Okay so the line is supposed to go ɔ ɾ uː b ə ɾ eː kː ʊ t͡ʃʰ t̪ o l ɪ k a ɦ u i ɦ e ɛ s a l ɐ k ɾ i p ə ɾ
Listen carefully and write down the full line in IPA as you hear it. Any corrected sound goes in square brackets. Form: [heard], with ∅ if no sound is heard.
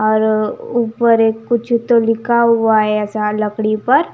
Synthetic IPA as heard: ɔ ɾ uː [p] ə ɾ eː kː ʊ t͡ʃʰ t̪ o l ɪ k a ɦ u [a] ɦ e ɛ s a l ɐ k [ɽ] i p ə ɾ